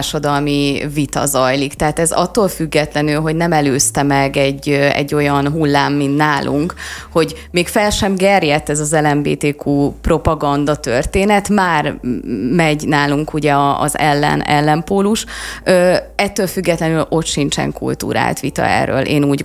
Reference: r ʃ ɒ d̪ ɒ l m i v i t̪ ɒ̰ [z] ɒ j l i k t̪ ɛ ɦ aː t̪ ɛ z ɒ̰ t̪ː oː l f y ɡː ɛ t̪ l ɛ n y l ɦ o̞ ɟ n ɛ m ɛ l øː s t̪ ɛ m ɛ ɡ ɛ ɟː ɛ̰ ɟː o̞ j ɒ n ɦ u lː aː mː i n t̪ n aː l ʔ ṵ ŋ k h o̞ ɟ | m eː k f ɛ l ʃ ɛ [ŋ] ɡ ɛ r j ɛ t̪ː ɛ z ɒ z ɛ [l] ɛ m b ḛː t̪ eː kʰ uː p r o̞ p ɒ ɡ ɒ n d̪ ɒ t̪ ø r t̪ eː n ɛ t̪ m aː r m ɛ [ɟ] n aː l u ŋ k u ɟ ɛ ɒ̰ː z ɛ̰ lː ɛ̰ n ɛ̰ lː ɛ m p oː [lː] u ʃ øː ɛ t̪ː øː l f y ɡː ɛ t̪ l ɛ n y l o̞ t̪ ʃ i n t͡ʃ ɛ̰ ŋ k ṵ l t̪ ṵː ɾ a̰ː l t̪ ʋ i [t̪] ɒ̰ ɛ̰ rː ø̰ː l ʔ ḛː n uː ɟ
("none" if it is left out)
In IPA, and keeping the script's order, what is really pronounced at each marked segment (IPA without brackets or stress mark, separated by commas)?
z, m, l, ɟ, l, t̪